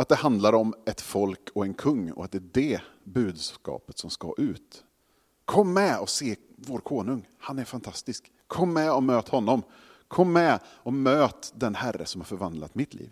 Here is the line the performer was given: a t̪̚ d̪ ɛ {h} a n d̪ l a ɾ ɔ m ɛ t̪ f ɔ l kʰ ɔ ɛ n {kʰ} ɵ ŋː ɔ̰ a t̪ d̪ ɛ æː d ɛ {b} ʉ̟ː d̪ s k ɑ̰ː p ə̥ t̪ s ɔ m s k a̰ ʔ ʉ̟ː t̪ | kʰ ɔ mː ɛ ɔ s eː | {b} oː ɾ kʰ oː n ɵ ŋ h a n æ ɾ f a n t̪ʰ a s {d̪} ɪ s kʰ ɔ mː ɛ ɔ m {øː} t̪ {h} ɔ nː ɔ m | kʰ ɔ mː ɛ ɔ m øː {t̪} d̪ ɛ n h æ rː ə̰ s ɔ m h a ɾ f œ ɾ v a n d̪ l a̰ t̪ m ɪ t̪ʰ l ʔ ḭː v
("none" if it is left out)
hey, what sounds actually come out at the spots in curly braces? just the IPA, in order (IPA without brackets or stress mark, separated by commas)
h, kʰ, b, v, t̪, øː, h, t̪